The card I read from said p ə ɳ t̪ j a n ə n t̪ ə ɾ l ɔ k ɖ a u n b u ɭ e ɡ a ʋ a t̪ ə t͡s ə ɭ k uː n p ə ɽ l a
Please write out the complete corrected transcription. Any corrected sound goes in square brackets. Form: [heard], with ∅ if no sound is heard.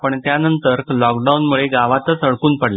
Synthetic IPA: p ə ɳ t̪ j a n ə n t̪ ə ɾ l ɔ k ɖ a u n [m] u ɭ e ɡ a ʋ a t̪ ə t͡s ə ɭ k uː n p ə ɽ l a